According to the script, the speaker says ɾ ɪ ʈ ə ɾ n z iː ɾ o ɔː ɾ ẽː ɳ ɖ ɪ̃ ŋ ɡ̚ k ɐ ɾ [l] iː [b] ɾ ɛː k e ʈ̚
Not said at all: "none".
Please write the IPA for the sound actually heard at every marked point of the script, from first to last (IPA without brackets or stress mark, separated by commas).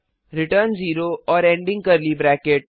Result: l, b